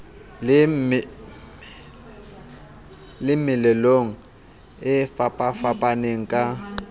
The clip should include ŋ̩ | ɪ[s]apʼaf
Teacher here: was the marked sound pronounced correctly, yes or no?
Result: no